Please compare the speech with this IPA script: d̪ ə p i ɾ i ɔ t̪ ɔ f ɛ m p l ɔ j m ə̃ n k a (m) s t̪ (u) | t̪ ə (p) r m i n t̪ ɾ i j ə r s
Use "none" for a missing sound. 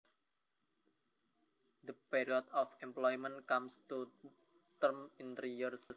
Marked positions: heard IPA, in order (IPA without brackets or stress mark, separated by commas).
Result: m, u, none